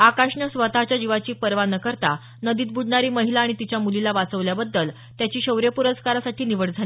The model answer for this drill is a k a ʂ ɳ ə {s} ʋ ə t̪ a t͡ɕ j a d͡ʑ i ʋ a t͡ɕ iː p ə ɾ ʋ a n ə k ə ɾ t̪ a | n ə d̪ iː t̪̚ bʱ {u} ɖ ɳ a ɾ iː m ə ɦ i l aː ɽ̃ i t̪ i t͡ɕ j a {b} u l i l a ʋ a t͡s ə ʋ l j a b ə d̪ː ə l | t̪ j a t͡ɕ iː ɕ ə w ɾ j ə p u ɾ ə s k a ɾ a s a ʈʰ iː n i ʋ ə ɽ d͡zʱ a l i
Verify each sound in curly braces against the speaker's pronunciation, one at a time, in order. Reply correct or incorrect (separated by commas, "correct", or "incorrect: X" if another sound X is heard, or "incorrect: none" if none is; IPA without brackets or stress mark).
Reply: correct, correct, incorrect: m